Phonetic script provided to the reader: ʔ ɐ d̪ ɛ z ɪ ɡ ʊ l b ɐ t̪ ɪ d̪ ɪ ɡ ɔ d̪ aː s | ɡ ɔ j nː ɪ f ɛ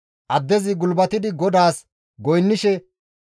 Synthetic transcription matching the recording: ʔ ɐ d̪ː ɛ z ɪ ɡ ʊ l b ɐ t̪ ɪ d̪ ɪ ɡ ɔ d̪ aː s | ɡ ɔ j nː ɪ ʃ ɛ